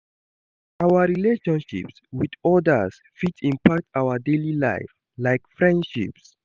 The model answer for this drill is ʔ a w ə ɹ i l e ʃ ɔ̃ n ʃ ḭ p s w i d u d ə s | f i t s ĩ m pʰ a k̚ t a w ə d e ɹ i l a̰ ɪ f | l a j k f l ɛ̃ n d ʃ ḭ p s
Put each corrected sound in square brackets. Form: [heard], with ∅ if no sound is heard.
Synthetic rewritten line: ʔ a w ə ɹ i l e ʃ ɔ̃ n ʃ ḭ p s w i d [ɔ] d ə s | f i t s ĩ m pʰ a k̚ t a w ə d e [l] i l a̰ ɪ f | l a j k f [ɹ] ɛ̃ n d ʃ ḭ p s

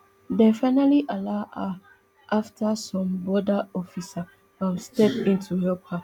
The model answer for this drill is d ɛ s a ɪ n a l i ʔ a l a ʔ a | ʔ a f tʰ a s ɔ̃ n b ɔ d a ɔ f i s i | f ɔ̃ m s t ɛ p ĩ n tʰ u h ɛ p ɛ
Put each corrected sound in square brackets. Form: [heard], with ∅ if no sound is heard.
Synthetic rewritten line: d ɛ [f] a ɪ n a l i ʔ a l a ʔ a | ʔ a f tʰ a s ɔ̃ [m] b ɔ d a ɔ f i s [a] | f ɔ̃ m s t ɛ p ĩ n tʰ u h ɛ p [a]

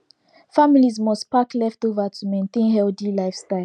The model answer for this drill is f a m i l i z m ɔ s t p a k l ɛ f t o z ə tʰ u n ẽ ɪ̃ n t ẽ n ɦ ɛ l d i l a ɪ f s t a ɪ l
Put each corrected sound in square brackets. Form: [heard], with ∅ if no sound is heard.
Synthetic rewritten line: f a m i l i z m ɔ s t p a k l ɛ f t o [v] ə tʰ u [m] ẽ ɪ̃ n t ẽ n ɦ ɛ l d i l a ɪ f s t a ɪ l

